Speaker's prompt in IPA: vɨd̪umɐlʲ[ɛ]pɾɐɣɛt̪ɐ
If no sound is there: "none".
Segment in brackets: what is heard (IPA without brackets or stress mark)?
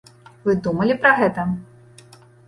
i